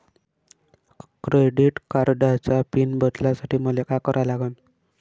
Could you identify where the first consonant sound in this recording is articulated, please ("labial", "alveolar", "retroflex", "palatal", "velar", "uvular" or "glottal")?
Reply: velar